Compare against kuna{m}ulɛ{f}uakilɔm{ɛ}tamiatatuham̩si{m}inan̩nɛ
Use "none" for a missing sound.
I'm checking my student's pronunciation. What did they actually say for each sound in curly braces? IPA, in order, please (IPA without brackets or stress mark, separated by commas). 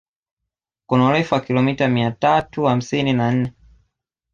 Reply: none, f, i, n